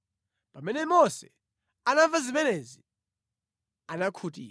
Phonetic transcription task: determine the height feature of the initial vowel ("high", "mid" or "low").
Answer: low